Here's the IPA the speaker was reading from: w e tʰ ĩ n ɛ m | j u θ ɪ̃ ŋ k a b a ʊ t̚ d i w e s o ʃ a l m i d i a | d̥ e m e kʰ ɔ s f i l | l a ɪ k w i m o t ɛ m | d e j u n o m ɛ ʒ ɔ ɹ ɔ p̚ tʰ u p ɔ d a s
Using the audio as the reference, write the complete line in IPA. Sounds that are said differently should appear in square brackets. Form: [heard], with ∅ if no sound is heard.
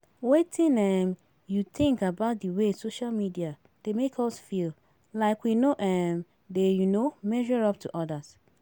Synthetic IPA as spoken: w e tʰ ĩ n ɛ m | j u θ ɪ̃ ŋ k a b a ʊ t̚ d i w e s o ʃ a l m i d i a | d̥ e m e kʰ ɔ s f i l | l a ɪ k w i [n] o [ʔ] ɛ m | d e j u n o m ɛ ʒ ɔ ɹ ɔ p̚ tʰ u [ʔ] ɔ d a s